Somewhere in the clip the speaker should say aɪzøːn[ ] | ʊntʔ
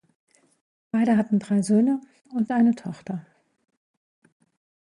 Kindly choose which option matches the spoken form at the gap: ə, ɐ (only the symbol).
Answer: ə